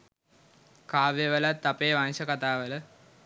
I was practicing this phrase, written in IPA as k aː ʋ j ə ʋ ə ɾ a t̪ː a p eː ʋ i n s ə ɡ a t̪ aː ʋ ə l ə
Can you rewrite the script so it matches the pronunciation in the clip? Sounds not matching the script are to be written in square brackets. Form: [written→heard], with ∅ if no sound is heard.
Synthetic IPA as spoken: k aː ʋ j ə ʋ ə [ɾ→l] a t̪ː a p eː ʋ [i→a] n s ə [ɡ→k] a t̪ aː ʋ ə l ə